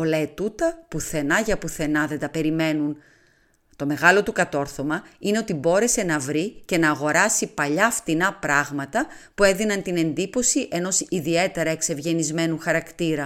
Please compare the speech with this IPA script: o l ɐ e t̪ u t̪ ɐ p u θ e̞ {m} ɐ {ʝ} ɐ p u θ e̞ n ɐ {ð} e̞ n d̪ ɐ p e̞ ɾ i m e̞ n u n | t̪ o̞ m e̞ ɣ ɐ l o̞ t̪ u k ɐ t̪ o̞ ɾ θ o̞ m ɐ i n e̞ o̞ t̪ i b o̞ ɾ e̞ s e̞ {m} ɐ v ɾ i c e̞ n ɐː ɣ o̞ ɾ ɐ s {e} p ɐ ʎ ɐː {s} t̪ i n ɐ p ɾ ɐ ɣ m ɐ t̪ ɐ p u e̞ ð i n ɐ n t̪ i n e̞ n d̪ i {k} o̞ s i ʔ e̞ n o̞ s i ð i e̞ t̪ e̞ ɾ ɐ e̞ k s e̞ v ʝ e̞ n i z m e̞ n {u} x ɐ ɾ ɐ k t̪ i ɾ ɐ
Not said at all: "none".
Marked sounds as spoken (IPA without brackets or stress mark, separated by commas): n, ʝ, ð, n, i, f, p, u